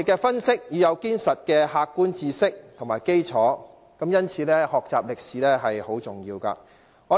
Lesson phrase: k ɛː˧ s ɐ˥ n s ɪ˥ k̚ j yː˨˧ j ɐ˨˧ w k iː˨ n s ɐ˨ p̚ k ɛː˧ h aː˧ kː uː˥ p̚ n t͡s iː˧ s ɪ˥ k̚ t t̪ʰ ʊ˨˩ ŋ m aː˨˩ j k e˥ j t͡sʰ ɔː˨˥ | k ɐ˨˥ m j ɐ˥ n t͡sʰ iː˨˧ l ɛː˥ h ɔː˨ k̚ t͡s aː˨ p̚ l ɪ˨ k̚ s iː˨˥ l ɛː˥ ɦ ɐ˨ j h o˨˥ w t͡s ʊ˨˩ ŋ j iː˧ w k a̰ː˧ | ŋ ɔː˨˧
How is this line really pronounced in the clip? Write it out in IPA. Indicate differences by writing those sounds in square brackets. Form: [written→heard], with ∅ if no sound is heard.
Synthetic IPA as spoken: k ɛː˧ [s→f] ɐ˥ n s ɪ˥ k̚ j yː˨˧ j ɐ˨˧ w k [iː˨→iː˥] n s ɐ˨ [p̚→t̚] k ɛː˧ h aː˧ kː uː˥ [p̚→∅] n t͡s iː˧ s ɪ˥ k̚ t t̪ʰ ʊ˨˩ ŋ m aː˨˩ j k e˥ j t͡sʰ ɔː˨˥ | k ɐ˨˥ m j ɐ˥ n t͡sʰ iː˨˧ l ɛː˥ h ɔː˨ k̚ t͡s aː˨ p̚ l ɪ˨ k̚ s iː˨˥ l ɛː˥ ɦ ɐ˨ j h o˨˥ w t͡s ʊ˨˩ ŋ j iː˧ w k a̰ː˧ | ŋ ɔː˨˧